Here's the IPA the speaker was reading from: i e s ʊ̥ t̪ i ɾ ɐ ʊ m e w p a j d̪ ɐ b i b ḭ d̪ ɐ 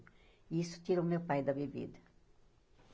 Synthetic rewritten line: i i s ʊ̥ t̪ i ɾ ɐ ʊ m e w p a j d̪ ɐ b e b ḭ d̪ ɐ